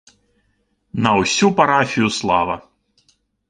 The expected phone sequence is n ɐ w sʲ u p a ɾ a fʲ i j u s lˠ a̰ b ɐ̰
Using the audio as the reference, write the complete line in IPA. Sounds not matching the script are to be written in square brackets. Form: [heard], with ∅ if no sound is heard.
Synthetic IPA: n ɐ w sʲ u p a ɾ a fʲ i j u s lˠ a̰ [v] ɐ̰